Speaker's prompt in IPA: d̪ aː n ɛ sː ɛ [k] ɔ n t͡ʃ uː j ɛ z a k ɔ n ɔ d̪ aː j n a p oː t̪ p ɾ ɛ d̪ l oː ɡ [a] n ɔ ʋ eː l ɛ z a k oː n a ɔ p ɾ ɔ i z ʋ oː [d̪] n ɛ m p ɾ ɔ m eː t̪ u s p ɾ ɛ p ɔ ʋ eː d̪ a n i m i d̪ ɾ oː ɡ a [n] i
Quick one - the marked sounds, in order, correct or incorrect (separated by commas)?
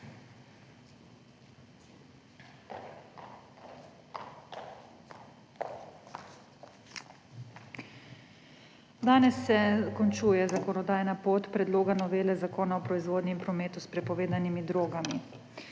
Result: correct, correct, correct, incorrect